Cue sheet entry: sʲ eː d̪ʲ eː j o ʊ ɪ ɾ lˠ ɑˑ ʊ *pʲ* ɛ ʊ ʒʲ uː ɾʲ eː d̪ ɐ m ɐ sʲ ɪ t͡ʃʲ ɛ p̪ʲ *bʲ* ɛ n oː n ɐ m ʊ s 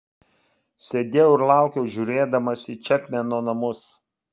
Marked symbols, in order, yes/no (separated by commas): no, no